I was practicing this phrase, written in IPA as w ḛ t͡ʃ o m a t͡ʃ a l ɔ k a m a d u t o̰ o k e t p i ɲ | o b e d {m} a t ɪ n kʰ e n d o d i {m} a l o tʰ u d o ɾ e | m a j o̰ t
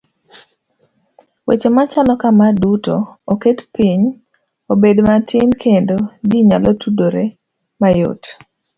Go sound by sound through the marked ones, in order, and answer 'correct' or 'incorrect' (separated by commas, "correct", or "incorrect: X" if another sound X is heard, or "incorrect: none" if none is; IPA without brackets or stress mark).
correct, incorrect: ɲ